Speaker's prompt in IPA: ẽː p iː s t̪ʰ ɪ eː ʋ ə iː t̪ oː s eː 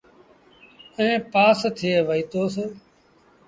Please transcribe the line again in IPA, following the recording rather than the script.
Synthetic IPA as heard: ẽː p aː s t̪ʰ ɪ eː ʋ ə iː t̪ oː s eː